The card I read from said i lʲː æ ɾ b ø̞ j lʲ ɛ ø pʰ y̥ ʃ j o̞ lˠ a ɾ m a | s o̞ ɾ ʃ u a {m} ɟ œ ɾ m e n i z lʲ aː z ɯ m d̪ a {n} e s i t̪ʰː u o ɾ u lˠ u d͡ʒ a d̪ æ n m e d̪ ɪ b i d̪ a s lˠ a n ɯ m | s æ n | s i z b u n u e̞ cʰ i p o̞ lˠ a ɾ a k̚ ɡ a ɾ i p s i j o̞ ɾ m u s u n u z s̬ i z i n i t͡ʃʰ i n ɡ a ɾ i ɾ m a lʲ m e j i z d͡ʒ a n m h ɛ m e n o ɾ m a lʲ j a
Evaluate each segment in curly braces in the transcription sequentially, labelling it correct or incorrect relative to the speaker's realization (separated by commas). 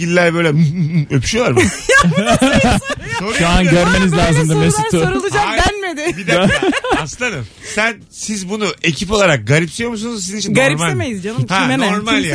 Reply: incorrect, incorrect